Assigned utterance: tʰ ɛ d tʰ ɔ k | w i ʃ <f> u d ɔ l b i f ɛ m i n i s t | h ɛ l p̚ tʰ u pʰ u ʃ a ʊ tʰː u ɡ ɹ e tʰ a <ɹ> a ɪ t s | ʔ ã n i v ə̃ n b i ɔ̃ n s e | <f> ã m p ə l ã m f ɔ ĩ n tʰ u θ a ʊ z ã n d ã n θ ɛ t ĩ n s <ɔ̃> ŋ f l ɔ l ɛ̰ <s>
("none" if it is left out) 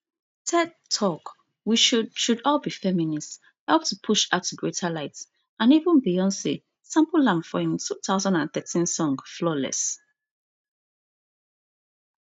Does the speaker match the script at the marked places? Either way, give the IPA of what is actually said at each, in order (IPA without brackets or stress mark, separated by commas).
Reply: ʃ, l, s, ɔ̃, s